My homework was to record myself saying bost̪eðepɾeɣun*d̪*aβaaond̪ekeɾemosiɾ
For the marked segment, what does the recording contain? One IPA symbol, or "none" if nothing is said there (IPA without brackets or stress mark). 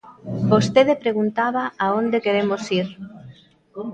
t̪